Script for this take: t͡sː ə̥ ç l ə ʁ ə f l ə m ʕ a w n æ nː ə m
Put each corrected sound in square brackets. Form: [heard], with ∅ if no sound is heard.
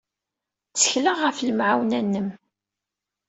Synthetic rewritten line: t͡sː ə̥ ç l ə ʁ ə f l ə m ʕ a w n æ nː ə m